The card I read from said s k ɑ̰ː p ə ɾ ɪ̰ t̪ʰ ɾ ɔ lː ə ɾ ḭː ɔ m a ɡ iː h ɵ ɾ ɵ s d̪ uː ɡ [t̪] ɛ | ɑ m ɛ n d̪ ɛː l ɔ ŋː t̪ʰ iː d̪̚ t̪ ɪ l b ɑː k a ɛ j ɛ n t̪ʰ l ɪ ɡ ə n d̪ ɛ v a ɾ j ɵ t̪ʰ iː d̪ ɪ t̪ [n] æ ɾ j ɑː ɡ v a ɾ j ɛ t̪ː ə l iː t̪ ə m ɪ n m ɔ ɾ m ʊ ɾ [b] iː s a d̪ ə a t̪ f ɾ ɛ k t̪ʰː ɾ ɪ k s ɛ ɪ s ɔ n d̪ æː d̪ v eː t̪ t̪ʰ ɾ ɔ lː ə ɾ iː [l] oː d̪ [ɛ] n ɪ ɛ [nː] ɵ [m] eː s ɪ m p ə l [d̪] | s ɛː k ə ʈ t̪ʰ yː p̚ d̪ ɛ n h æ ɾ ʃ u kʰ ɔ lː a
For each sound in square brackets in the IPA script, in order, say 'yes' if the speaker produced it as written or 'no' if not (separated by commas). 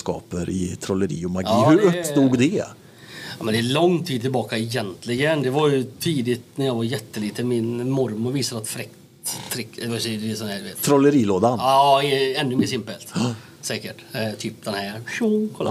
no, yes, no, yes, no, yes, yes, no